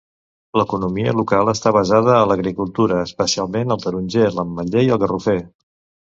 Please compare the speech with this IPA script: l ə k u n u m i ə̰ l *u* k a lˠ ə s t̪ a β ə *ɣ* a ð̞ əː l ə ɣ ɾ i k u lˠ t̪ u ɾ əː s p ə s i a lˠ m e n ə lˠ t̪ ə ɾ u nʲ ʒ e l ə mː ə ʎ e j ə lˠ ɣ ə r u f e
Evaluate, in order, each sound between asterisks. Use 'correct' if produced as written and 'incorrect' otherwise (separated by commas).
correct, incorrect